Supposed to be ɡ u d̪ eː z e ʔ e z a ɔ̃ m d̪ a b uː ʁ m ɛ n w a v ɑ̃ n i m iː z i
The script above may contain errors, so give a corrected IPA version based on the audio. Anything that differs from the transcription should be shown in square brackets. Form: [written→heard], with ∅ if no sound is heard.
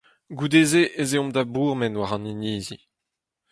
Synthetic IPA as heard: ɡ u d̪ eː z e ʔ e z [a→e] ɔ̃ m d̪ a b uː ʁ m ɛ n w a [v→ʁ] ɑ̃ n i [m→n] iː z i